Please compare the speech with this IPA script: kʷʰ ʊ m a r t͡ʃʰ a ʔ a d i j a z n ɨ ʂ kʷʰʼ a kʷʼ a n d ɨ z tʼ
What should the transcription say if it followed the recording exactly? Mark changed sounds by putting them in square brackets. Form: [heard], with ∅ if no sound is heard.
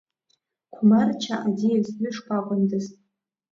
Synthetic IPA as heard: kʷʰ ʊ m a r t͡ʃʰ a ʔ a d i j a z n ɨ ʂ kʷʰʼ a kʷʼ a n d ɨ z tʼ